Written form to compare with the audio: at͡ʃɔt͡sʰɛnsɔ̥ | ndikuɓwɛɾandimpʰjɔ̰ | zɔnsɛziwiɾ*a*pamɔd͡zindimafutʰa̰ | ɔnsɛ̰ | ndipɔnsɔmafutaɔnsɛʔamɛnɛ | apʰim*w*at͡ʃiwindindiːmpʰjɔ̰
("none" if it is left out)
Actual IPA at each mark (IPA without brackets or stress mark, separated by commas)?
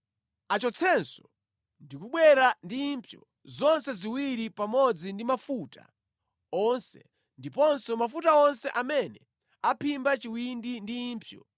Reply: i, b